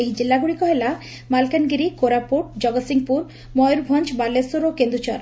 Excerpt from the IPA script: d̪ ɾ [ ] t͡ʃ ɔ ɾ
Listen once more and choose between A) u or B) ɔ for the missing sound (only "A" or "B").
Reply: A